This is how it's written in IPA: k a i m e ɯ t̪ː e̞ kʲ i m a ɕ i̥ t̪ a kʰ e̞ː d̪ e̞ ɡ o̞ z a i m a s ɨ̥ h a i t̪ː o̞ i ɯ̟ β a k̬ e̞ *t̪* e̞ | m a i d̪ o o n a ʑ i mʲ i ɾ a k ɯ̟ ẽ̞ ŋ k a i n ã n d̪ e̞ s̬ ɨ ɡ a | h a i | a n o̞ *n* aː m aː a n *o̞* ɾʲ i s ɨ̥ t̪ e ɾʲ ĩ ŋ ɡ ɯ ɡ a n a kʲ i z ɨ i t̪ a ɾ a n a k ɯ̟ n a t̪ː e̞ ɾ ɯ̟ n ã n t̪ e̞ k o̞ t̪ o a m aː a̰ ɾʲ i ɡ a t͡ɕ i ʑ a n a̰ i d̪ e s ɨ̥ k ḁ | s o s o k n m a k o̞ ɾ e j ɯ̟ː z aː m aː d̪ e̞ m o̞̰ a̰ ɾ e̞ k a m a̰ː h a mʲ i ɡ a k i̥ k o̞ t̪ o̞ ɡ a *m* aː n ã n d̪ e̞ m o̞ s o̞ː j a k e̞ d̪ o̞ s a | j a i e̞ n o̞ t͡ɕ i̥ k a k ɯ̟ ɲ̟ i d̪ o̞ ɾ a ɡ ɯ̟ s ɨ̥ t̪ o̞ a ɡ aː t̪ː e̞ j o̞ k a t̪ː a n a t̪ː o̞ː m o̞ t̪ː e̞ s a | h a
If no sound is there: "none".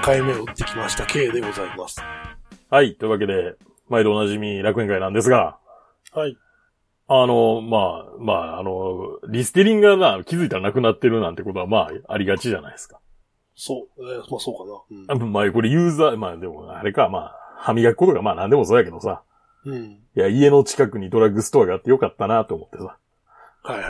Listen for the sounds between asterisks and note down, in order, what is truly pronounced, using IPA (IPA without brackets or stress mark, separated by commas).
d̪, m, o̞, m